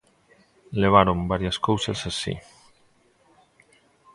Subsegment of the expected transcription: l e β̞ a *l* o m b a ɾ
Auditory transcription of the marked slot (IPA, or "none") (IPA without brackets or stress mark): ɾ